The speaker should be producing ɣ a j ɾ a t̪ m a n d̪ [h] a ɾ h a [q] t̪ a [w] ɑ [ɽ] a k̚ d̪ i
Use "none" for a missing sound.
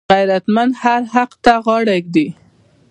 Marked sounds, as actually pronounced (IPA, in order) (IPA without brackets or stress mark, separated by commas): h, q, ɣ, ɽ